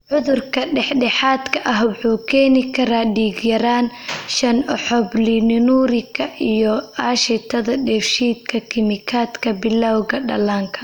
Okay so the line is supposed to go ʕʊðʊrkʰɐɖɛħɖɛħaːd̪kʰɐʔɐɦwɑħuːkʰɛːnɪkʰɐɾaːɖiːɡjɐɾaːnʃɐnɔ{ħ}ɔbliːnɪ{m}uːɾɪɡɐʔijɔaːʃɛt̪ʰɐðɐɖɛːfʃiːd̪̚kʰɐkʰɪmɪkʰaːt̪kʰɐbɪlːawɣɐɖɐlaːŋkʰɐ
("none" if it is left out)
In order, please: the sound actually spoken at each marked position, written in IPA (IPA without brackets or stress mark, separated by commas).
ħ, n